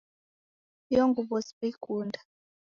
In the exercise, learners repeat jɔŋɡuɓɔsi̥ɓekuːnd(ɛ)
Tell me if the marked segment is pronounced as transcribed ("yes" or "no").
no